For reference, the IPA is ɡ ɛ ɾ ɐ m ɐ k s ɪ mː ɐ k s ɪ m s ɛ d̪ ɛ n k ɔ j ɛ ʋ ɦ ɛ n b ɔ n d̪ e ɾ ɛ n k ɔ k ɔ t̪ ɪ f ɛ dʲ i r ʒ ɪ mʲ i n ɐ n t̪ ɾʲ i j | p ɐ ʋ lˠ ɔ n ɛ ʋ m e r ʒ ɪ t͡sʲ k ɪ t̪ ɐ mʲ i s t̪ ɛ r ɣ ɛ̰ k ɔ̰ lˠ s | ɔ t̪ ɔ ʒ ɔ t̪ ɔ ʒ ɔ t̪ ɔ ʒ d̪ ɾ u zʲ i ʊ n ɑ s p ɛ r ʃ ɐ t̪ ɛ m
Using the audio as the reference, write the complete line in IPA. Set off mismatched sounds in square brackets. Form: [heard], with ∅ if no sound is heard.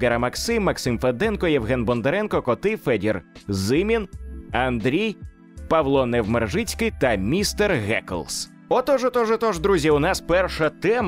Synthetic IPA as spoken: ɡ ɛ ɾ ɐ m ɐ k s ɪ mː ɐ k s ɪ m [f] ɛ d̪ ɛ n k ɔ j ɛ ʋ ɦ ɛ n b ɔ n d̪ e ɾ ɛ n k ɔ k ɔ t̪ ɪ f ɛ dʲ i r [z] ɪ mʲ i n ɐ n [d̪] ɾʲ i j | p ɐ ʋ lˠ ɔ n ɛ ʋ m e r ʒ ɪ t͡sʲ k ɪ t̪ ɐ mʲ i s t̪ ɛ r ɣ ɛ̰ k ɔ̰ lˠ s | ɔ t̪ ɔ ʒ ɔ t̪ ɔ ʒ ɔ t̪ ɔ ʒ d̪ ɾ u zʲ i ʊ n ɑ s p ɛ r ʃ ɐ t̪ ɛ m